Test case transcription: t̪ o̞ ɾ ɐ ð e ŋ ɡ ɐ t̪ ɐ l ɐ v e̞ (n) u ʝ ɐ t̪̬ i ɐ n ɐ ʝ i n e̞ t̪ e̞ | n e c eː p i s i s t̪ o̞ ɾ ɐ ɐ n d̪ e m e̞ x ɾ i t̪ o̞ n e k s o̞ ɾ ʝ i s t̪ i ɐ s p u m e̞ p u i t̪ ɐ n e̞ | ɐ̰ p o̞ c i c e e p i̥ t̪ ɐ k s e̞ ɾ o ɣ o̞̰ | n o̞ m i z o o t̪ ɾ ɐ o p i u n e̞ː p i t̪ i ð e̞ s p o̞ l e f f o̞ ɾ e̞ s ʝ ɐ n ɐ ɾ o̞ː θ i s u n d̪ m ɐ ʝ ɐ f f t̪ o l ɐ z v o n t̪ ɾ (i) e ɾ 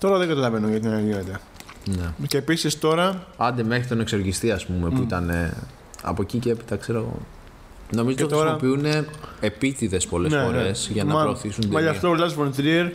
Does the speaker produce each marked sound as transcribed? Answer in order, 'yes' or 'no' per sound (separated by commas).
yes, yes